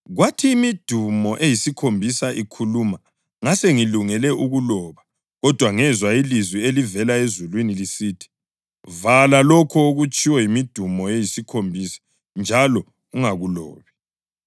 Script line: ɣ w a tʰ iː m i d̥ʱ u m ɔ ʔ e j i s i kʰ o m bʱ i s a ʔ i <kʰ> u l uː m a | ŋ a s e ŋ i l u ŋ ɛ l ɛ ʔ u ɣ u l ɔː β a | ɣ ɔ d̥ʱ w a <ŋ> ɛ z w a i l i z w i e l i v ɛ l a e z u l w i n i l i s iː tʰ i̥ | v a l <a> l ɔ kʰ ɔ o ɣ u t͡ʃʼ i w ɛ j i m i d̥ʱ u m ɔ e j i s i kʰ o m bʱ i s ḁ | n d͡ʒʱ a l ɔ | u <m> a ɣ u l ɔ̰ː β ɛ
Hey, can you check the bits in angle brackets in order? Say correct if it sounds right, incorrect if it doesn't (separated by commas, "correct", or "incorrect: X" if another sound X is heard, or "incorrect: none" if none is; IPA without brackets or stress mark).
correct, correct, correct, incorrect: ŋ